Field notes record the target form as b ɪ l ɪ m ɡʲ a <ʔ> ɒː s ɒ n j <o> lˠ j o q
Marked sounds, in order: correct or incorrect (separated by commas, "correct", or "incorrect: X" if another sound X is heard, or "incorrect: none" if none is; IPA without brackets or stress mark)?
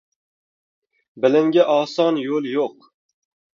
correct, correct